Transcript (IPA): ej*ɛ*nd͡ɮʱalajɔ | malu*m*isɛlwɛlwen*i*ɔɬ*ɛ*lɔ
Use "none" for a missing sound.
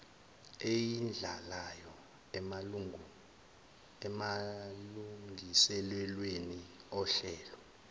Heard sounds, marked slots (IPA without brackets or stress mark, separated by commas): i, ŋ, i, ɛː